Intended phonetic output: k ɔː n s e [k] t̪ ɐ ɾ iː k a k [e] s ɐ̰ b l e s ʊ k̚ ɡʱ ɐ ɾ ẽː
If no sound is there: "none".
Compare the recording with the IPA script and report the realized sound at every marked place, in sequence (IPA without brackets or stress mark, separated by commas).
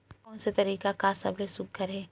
none, a